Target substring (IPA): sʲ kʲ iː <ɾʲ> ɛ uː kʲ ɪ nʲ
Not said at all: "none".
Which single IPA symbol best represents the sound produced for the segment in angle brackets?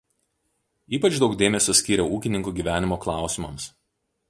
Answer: ɾʲ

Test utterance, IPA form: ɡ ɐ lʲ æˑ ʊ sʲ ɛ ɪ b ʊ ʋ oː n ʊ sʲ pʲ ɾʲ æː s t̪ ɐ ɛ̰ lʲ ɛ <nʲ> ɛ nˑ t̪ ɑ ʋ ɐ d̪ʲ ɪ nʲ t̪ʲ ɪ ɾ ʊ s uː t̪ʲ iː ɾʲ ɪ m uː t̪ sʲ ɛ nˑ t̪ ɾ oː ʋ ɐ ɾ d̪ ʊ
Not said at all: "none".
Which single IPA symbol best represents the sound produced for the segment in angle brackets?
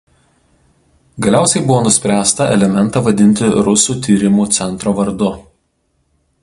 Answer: mʲ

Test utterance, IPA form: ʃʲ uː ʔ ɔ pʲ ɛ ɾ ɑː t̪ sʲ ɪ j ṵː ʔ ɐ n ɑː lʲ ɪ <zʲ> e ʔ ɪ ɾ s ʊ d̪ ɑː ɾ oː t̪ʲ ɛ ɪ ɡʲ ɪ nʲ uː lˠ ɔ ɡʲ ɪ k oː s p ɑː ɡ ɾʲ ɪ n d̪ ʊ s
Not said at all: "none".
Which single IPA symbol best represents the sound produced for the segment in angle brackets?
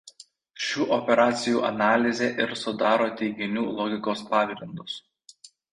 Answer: zʲ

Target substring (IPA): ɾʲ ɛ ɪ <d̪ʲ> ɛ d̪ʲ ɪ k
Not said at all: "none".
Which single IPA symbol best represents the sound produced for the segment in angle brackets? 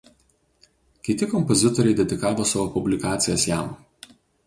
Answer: d̪ʲ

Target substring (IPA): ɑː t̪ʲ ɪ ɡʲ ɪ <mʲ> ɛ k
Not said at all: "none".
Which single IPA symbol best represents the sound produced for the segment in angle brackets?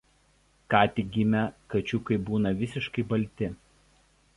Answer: mʲ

